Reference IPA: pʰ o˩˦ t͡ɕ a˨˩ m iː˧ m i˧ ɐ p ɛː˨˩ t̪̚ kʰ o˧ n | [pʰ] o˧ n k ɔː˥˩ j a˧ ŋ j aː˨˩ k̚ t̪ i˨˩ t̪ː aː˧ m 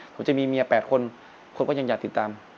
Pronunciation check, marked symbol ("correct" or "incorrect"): incorrect